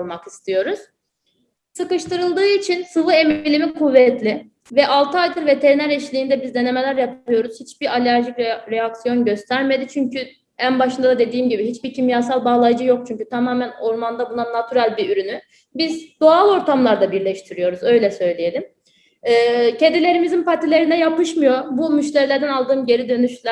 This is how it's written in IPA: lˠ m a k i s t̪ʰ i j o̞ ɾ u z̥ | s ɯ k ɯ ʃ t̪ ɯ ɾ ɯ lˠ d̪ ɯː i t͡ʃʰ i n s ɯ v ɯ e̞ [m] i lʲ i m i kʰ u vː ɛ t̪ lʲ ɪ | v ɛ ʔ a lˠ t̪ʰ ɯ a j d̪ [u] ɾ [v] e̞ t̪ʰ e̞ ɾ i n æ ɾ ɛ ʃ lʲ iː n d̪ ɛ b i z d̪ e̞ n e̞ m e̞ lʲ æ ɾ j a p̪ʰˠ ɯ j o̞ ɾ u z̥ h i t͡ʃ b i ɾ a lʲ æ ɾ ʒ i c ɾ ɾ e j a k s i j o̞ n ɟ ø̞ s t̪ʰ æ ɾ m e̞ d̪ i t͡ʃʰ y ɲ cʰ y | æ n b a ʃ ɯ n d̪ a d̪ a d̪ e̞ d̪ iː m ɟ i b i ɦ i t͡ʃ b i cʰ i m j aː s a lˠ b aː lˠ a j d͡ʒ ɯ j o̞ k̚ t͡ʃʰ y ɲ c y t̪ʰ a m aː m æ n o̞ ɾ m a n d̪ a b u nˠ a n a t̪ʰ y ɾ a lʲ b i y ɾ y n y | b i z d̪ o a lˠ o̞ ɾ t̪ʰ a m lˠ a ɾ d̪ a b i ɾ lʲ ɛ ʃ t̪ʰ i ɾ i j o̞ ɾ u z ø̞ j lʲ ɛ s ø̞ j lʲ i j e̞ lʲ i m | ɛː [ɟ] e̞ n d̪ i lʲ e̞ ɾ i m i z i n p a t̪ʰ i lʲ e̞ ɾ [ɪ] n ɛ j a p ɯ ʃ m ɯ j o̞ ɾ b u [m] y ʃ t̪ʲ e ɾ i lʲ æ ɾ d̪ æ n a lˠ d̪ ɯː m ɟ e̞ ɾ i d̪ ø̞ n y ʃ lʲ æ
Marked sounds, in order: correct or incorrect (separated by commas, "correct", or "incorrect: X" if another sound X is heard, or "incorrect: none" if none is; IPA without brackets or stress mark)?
correct, incorrect: ɯ, correct, incorrect: c, incorrect: i, correct